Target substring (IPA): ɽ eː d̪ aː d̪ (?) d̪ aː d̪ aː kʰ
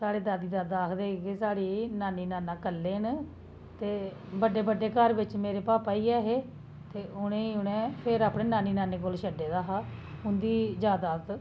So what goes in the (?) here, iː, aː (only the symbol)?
iː